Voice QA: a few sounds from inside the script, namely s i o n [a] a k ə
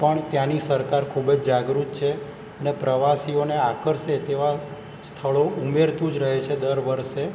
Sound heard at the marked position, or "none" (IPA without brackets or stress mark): e